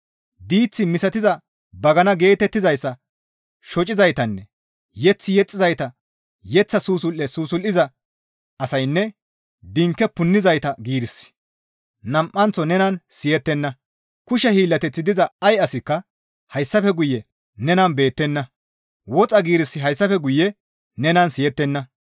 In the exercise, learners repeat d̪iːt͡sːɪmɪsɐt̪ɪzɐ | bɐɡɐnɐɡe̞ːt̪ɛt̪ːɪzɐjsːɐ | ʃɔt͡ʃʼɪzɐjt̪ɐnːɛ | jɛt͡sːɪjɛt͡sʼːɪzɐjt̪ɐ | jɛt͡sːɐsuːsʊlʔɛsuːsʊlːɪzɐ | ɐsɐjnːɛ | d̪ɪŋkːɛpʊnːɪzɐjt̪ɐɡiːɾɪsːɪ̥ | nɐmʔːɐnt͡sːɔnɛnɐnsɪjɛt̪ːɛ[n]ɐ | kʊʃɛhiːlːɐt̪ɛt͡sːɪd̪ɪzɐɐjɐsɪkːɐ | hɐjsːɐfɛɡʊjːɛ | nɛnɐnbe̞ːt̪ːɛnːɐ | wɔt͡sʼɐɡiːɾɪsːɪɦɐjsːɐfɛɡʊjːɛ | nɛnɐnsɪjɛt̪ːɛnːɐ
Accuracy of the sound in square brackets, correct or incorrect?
incorrect